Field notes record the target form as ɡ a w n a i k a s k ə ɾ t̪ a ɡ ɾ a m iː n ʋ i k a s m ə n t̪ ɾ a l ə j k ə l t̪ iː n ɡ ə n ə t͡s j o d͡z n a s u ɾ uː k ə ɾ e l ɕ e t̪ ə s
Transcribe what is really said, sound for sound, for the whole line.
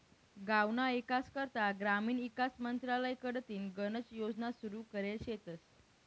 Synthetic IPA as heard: ɡ a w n a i k a s k ə ɾ t̪ a ɡ ɾ a m iː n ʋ i k a s m ə n t̪ ɾ a l ə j k ə ɽ t̪ iː n ɡ ə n ə t͡s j o d͡z n a s u ɾ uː k ə ɾ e l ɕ e t̪ ə s

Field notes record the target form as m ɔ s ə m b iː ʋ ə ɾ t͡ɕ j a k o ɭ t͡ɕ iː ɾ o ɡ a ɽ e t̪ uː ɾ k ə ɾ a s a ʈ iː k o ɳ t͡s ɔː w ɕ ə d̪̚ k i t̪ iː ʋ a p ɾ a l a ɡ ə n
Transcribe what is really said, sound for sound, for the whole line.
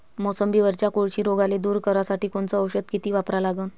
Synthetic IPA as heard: m ɔ s ə m b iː ʋ ə ɾ t͡ɕ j a k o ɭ t͡ɕ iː ɾ o ɡ a l e d̪ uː ɾ k ə ɾ a s a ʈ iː k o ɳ t͡s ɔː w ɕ ə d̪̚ k i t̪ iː ʋ a p ɾ a l a ɡ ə n

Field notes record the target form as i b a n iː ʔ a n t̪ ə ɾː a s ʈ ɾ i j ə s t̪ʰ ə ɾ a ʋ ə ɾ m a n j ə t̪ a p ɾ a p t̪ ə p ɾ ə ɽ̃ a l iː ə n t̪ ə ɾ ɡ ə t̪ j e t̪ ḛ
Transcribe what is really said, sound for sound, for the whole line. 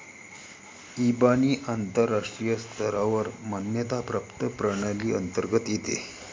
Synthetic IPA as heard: i b a n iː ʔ a n t̪ ə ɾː a ʂ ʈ ɾ i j ə s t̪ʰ ə ɾ a ʋ ə ɾ m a n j ə t̪ a p ɾ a p t̪ ə p ɾ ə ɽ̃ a l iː ə n t̪ ə ɾ ɡ ə t̪ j e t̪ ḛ

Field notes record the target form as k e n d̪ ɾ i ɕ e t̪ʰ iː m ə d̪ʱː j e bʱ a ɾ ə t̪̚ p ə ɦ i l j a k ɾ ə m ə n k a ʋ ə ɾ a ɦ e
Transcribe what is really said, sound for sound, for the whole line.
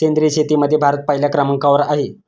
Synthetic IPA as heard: k e n d̪ ɾ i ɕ e t̪ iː m ə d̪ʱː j e bʱ a ɾ ə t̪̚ p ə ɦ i l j a k ɾ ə m ə ŋ k a ʋ ə ɾ a ɦ e

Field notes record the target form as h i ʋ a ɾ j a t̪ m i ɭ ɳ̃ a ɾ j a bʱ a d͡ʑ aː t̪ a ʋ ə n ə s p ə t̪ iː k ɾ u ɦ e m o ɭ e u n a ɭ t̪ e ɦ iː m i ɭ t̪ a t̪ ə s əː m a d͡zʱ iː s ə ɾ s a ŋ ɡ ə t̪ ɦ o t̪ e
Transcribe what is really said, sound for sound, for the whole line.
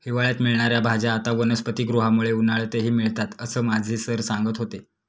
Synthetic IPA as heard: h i ʋ a ɭ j a t̪ m i ɭ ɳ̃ a ɾ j a bʱ a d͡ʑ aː t̪ a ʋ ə n ə s p ə t̪ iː ɡ ɾ u ɦ a m u ɭ e u n a ɭ t̪ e ɦ iː m i ɭ t̪ a t̪ ə s əː m a d͡zʱ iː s ə ɾ s a ŋ ɡ ə t̪ ɦ o t̪ e

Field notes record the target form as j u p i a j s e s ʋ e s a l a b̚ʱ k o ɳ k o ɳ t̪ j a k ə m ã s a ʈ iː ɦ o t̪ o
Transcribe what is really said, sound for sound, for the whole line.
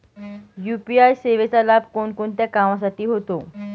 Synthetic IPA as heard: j u p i a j s e ʋ e t͡s a l a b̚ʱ k o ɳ k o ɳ t̪ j a k a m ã s a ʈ iː ɦ o t̪ o

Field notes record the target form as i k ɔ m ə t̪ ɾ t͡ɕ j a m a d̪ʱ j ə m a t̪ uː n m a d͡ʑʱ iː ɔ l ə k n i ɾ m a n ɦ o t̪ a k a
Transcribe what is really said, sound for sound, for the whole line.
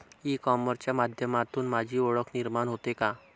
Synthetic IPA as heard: i k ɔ m ə ɾ t͡ɕ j a m a d̪ʱ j ə m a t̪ uː n m a d͡ʑʱ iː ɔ ɭ ə k n i ɾ m a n ɦ o t̪ e k a

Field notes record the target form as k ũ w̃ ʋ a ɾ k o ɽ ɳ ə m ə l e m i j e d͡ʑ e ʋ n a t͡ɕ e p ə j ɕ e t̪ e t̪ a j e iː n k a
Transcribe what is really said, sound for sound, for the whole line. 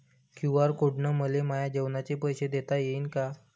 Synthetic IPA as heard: k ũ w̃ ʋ a ɾ k o ɽ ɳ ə m ə l e m a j a d͡ʑ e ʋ n a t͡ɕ e p ə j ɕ e d̪ e t̪ a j e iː n k a

